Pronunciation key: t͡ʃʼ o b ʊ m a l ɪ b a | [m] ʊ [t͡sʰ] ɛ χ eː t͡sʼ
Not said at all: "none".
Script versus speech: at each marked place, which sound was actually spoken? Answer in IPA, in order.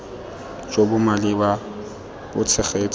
b, t͡sʰ

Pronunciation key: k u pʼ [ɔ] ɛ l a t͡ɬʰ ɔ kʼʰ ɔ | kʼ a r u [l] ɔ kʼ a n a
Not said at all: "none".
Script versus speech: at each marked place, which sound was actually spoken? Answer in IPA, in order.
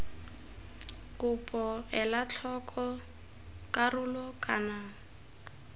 ɔ, l

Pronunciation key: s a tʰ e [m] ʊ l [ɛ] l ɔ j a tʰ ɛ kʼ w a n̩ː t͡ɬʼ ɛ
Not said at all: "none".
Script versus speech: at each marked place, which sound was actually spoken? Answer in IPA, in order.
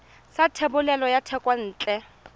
b, ɛ

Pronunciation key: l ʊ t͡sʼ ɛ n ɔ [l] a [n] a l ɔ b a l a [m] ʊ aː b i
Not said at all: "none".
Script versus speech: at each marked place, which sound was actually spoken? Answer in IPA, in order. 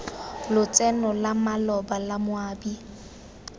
l, m, m

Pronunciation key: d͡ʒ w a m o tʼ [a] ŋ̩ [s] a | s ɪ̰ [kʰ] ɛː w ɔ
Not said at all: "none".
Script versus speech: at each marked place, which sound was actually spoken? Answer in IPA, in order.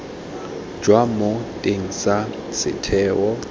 e, s, tʰ

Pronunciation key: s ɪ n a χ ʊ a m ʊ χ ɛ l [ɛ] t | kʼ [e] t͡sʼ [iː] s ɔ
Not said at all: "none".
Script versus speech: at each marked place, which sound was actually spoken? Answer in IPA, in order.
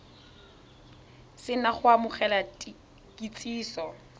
a, i, iː

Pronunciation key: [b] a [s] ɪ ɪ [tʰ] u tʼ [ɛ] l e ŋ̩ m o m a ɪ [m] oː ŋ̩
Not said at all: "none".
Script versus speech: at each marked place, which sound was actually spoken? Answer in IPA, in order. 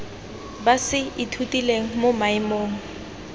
b, s, tʰ, i, m

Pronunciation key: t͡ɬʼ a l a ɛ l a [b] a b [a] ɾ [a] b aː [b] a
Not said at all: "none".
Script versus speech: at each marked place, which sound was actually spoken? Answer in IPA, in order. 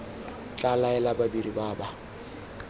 b, i, i, b

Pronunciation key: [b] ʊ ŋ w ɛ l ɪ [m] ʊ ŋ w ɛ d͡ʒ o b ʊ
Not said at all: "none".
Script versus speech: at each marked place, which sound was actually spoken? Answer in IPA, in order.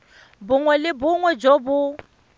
b, b

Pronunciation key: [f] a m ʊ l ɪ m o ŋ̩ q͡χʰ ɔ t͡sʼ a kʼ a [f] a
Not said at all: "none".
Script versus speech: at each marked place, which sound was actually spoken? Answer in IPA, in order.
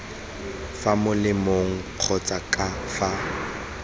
f, f

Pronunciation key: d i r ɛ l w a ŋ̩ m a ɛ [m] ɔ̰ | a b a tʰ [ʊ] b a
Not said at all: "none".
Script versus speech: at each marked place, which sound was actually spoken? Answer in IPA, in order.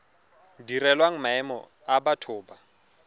m, ʊː

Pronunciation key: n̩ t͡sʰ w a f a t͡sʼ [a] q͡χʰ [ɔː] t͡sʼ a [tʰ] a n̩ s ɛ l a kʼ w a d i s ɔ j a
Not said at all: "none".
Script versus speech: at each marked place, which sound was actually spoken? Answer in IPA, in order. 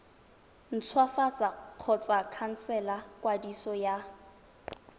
a, ɔ, kʰ

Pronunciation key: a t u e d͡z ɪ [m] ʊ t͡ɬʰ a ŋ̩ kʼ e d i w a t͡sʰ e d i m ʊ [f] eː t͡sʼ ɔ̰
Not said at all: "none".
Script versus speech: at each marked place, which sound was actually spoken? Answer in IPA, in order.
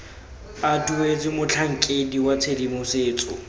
m, s

